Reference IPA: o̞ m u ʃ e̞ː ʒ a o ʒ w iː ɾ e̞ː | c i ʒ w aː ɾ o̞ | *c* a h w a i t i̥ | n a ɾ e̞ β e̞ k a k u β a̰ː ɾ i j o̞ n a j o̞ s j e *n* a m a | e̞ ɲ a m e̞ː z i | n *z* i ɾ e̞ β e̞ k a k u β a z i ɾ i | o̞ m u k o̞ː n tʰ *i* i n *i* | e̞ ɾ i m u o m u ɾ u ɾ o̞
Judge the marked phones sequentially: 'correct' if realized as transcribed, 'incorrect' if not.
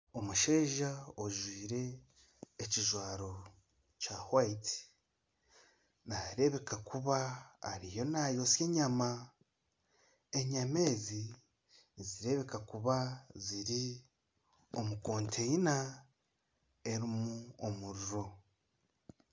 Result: correct, incorrect, correct, incorrect, incorrect

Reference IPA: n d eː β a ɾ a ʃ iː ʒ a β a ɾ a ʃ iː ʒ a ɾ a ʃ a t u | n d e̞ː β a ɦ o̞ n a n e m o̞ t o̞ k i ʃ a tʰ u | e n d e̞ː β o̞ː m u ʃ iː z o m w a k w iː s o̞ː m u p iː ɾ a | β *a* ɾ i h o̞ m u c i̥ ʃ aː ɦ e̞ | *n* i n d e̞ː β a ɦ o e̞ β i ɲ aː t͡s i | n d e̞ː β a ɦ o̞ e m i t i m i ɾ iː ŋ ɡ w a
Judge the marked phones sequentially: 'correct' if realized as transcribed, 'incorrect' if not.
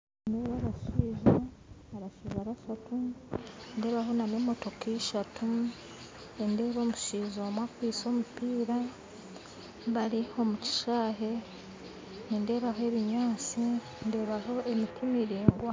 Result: correct, correct

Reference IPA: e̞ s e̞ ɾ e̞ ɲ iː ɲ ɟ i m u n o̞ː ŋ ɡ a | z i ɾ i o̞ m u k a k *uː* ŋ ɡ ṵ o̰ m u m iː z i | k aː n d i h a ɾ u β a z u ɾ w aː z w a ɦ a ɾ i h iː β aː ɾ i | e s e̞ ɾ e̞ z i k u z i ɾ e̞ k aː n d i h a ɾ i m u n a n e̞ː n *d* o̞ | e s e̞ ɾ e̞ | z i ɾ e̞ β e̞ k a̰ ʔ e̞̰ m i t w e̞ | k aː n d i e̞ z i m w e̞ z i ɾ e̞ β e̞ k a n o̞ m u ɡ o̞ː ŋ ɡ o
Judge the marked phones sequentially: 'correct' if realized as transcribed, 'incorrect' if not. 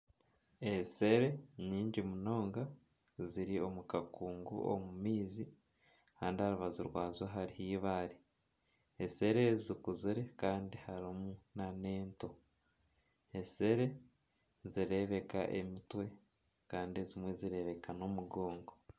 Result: correct, incorrect

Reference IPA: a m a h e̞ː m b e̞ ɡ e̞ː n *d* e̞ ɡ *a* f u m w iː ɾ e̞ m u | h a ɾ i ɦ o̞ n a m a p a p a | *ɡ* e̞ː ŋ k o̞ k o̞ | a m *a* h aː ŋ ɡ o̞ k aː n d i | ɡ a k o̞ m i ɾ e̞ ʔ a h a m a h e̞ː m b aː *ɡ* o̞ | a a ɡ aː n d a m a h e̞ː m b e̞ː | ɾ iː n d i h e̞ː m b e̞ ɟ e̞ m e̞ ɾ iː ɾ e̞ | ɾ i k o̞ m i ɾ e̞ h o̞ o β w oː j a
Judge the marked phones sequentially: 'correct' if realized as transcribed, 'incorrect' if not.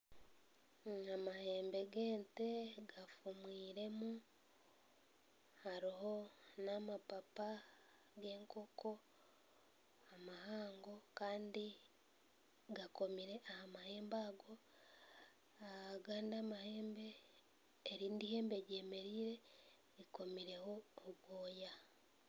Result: incorrect, correct, correct, correct, correct

